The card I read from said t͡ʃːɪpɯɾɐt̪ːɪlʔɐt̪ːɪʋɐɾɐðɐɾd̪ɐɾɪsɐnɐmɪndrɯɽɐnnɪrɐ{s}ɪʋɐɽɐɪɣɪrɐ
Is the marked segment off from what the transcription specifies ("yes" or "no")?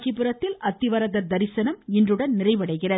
yes